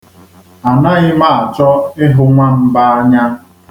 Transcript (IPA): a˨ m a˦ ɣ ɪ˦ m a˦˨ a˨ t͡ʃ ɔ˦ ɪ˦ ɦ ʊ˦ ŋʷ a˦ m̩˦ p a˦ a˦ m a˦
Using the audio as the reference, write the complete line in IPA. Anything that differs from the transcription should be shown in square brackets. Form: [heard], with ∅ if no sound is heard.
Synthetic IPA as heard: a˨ [n] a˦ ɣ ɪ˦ m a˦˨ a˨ t͡ʃ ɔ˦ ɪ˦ ɦ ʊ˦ ŋʷ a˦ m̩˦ [b] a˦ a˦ [ɲ] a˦